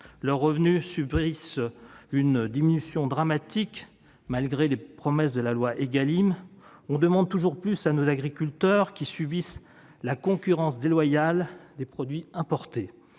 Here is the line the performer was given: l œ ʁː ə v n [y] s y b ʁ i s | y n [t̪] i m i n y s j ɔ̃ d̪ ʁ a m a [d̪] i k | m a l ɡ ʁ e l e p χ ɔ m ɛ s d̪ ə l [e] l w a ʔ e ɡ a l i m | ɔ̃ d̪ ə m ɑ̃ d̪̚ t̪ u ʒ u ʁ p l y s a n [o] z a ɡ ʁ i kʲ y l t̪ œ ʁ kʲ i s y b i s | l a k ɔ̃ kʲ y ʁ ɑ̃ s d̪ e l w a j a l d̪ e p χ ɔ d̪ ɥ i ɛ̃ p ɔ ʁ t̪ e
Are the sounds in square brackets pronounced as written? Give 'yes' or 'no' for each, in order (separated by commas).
yes, no, no, no, yes